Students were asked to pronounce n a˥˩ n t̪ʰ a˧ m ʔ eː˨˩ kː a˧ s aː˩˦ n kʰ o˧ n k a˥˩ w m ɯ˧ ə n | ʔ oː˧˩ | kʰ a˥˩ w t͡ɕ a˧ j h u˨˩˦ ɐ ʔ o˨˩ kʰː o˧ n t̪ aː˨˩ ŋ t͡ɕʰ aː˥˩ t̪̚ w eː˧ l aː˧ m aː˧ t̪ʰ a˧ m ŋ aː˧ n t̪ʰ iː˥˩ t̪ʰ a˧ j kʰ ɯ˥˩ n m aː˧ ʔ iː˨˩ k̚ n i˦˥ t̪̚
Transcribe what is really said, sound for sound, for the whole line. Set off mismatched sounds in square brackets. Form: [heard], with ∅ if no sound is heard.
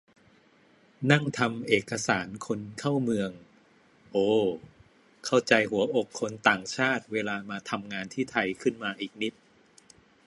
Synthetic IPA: n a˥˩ [ŋ] t̪ʰ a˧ m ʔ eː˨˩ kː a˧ s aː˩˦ n kʰ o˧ n [kʰ] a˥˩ w m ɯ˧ ə [ŋ] | ʔ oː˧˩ | kʰ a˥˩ w t͡ɕ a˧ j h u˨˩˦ ɐ ʔ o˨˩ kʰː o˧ n t̪ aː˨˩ ŋ t͡ɕʰ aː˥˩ t̪̚ w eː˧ l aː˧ m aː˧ t̪ʰ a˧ m ŋ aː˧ n t̪ʰ iː˥˩ t̪ʰ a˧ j kʰ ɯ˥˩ n m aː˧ ʔ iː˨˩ k̚ n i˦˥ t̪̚